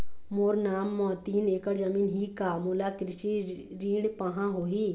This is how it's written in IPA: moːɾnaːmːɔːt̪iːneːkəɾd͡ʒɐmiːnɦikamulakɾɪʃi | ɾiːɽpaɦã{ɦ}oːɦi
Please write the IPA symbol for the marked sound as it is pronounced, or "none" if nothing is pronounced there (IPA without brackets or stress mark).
ɦ